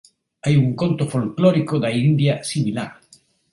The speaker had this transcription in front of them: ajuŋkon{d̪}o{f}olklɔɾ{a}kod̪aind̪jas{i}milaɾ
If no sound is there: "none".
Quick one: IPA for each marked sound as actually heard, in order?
t̪, f, i, i

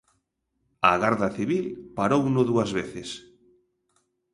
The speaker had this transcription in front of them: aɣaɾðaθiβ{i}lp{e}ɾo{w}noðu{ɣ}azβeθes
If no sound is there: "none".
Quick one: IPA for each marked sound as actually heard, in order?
i, a, w, none

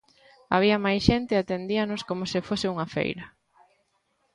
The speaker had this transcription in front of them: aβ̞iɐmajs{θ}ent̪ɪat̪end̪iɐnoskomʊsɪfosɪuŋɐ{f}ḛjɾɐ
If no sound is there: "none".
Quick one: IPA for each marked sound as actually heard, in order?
ʃ, f

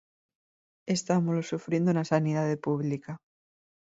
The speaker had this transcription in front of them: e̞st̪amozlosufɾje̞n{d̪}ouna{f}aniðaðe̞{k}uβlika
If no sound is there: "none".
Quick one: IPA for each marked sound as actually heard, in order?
d̪, s, p

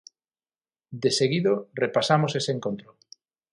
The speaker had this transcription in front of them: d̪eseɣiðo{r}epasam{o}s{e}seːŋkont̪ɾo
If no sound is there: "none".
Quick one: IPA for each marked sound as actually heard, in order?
r, o, e

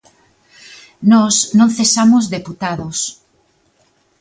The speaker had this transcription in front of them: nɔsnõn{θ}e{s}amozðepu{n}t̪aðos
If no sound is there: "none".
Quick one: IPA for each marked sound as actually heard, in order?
θ, s, none

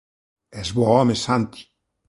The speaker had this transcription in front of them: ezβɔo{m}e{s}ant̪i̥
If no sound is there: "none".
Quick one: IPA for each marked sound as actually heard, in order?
m, s

